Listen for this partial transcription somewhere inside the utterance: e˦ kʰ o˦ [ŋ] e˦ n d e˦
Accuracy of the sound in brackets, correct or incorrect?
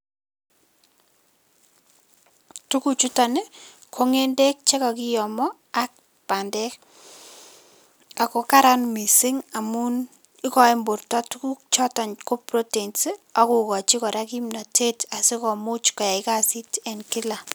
correct